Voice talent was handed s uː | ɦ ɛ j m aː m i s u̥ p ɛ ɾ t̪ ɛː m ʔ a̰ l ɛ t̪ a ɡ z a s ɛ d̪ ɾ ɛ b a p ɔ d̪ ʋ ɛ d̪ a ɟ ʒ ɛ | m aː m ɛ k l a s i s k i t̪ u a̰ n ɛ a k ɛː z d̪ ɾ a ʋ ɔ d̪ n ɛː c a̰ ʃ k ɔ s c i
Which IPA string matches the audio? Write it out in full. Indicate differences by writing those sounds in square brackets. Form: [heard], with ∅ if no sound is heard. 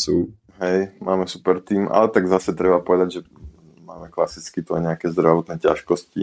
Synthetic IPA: s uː | ɦ ɛ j m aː m [ɛ] s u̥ p ɛ ɾ t̪ [iː] m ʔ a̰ l ɛ t̪ a ɡ z a s ɛ [t̪] ɾ ɛ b a p ɔ [∅] ʋ ɛ d̪ a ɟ ʒ ɛ | m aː m ɛ k l a s i [t͡s] k i t̪ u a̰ [ɲ] ɛ a k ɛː z d̪ ɾ a ʋ ɔ [t̪] n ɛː c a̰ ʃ k ɔ s c i